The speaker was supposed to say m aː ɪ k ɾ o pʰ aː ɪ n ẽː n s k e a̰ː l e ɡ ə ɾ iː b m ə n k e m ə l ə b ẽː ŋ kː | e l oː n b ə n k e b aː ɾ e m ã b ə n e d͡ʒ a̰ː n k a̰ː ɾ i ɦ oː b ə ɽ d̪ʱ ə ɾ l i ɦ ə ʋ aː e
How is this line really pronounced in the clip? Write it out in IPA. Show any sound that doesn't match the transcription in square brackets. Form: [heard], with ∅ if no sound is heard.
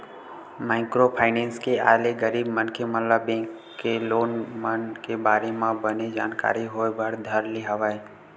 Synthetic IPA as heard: m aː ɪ k ɾ o pʰ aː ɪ n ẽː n s k e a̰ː l e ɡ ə ɾ iː b m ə n k e m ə l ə b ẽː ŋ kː | e l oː n [m] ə n k e b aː ɾ e m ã b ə n e d͡ʒ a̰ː n k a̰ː ɾ i ɦ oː b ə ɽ d̪ʱ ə ɾ l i ɦ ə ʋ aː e

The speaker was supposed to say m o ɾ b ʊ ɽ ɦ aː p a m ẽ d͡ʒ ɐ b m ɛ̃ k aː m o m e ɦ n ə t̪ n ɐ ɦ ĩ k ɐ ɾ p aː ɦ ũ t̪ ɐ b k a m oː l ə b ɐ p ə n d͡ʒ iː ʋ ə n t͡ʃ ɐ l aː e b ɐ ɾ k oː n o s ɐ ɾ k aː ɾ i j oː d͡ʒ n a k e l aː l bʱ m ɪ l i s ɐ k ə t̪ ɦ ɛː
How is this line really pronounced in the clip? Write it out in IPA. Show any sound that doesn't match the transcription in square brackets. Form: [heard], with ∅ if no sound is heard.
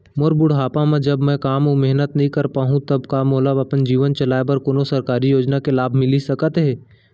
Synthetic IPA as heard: m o ɾ b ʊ ɽ ɦ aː p a m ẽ d͡ʒ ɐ b m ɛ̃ k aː m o m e ɦ n ə t̪ n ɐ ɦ ĩ k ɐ ɾ p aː ɦ ũ t̪ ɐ b k a m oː l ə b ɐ p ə n d͡ʒ iː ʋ ə n t͡ʃ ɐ l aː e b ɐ ɾ k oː n o s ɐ ɾ k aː ɾ i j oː d͡ʒ n a k e l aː [∅] bʱ m ɪ l i s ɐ k ə t̪ ɦ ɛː

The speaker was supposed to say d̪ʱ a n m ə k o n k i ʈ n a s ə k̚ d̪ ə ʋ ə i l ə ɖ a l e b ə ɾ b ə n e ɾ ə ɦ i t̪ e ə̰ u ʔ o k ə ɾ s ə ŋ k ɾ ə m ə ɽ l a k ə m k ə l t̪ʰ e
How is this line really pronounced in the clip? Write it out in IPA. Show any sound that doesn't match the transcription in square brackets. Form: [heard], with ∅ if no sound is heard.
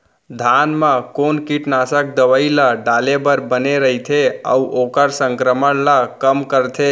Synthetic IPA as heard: d̪ʱ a n m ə k o n k i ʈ n a s ə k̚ d̪ ə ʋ ə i l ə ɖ a l e b ə ɾ b ə n e ɾ ə ɦ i [t̪ʰ] e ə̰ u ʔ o k ə ɾ s ə ŋ k ɾ ə m ə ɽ l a k ə m k ə [ɾ] t̪ʰ e

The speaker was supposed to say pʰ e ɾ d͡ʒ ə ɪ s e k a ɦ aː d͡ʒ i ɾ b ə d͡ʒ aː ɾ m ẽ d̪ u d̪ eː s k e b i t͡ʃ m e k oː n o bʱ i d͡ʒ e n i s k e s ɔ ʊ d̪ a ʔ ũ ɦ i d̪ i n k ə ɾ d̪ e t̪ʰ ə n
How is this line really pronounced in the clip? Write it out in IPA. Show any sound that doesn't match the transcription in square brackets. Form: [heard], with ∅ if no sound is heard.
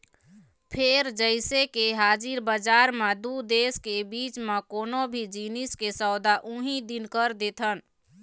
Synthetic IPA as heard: pʰ e ɾ d͡ʒ ə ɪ s e k [e] ɦ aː d͡ʒ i ɾ b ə d͡ʒ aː ɾ m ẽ d̪ u d̪ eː s k e b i t͡ʃ m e k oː n o bʱ i d͡ʒ [i] n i s k e s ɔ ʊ d̪ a ʔ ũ ɦ i d̪ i n k ə ɾ d̪ e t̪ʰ ə n

